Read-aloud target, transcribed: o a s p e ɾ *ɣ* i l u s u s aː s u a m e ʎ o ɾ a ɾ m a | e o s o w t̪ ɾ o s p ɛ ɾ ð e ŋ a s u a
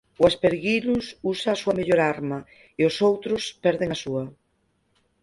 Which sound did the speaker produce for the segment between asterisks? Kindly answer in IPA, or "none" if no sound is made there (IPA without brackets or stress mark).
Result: ɣ